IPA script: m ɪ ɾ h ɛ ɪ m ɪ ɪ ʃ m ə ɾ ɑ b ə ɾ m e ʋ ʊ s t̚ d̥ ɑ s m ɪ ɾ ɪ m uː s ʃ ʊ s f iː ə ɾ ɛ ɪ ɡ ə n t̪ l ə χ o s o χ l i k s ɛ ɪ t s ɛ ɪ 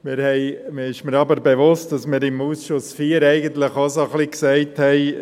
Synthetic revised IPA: m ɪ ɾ h ɛ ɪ m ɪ ɪ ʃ m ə ɾ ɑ b ə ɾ b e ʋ ʊ s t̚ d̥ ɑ s m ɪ ɾ ɪ m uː s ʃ ʊ s f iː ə ɾ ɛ ɪ ɡ ə n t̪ l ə χ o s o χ l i k s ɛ ɪ t h ɛ ɪ